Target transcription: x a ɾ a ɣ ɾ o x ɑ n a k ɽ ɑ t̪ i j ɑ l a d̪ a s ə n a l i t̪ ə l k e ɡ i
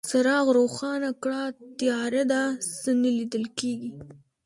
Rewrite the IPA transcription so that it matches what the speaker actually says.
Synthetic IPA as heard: s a ɾ ɑ ɣ ɾ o x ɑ n a k ɽ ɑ t̪ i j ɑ ɾ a d̪ a s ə n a l i d̪ ə l k e ɡ i